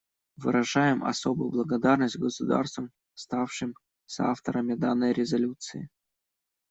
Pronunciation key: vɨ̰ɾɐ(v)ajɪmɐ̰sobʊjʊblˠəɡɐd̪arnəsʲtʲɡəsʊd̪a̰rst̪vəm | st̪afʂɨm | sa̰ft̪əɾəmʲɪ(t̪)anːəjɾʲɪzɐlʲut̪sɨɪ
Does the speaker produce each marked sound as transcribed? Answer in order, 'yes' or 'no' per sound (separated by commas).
no, no